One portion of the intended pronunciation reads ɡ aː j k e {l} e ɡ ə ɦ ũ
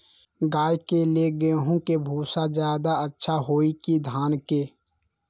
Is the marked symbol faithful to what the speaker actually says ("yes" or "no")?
yes